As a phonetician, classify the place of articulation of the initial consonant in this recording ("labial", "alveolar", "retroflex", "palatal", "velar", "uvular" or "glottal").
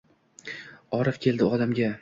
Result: alveolar